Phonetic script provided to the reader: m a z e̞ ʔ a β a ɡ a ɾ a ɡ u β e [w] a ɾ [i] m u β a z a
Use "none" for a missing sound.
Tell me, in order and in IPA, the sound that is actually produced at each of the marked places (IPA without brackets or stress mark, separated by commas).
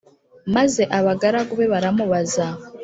β, a